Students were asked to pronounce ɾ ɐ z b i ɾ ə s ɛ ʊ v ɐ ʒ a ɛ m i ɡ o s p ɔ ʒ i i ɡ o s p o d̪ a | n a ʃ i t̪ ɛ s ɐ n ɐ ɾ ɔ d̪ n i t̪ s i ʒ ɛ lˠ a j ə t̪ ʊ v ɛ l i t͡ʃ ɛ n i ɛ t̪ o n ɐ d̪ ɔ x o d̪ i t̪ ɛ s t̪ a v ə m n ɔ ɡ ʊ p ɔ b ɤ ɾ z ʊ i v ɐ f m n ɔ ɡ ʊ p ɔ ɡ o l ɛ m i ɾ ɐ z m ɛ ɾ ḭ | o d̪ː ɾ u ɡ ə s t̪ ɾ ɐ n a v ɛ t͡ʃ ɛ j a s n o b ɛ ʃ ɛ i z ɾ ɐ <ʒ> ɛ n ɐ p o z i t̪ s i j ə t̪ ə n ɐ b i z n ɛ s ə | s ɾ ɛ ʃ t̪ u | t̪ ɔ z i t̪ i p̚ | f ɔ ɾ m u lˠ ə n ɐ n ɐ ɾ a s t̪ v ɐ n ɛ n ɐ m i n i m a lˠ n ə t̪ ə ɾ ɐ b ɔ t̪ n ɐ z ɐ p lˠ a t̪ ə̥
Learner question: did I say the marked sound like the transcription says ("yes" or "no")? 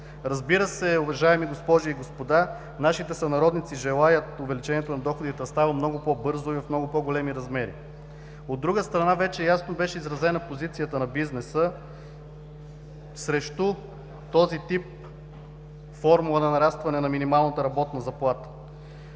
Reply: no